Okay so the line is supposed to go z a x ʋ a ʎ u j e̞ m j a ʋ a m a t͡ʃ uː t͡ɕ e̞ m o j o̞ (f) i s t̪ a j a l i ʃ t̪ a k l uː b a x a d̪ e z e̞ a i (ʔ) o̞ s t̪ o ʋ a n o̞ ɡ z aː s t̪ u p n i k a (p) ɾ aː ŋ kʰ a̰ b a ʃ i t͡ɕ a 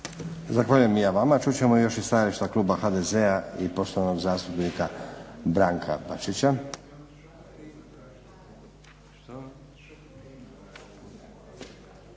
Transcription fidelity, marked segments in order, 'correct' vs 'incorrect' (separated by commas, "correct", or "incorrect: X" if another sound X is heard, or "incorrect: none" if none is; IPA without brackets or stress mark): incorrect: ʃ, incorrect: p, incorrect: b